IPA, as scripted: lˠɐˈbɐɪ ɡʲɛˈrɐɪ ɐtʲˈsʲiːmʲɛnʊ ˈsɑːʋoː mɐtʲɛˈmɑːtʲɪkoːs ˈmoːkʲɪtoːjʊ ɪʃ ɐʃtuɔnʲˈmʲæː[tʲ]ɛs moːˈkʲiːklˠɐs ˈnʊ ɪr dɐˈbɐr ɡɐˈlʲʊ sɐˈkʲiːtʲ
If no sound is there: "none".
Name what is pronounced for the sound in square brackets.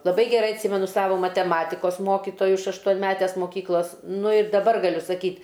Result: tʲ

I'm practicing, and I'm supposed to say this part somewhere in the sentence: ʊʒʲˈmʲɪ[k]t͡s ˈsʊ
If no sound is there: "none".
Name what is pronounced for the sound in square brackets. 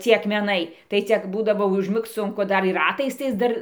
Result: k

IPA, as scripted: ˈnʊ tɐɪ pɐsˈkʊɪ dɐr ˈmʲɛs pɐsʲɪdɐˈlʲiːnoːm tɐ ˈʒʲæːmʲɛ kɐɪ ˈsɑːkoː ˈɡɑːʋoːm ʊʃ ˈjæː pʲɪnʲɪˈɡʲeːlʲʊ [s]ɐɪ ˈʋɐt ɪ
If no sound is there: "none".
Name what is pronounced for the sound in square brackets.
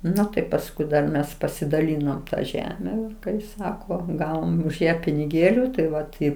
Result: t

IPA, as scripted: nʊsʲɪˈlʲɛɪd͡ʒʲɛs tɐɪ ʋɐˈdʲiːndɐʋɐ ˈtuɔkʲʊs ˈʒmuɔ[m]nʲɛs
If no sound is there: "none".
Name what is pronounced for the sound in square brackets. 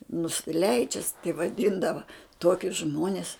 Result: none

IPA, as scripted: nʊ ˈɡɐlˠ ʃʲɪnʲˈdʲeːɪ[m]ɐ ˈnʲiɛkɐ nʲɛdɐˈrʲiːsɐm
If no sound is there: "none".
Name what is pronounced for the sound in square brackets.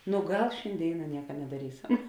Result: n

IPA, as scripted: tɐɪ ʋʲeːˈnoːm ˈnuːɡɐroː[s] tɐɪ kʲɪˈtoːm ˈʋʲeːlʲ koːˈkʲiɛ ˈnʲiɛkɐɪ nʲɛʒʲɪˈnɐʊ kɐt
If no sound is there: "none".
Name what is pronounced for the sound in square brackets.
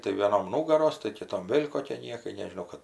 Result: s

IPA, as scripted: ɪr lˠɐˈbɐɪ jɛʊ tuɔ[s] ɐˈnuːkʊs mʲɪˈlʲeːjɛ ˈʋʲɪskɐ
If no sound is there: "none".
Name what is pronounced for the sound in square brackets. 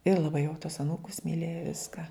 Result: s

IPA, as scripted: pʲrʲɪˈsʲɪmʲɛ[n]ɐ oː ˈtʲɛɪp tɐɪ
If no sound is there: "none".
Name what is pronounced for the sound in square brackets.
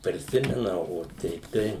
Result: n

